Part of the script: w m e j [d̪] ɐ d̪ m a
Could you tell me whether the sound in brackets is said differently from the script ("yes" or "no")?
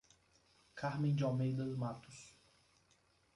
no